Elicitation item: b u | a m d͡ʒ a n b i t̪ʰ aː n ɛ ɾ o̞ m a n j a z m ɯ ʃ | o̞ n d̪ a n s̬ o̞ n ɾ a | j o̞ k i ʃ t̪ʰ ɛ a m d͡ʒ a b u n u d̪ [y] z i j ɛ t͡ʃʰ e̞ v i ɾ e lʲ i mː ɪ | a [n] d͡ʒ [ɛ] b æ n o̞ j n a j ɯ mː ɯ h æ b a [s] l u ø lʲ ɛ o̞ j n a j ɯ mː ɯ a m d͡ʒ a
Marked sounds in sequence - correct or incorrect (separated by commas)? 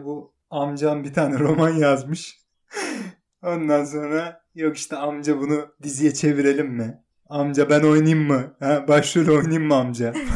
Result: incorrect, incorrect, incorrect, incorrect